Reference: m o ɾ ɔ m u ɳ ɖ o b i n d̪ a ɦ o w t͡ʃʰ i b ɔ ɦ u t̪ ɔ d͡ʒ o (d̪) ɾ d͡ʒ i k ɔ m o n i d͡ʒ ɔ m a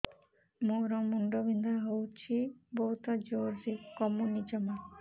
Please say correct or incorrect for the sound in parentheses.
incorrect